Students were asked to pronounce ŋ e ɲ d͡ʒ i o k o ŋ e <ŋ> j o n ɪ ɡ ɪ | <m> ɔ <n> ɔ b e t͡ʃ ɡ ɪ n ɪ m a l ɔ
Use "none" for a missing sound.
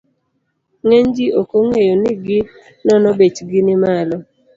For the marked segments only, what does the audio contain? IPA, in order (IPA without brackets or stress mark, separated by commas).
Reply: none, n, n